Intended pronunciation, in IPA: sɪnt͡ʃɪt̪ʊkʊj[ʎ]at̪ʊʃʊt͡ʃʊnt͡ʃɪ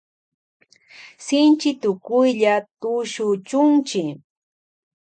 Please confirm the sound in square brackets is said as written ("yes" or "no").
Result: yes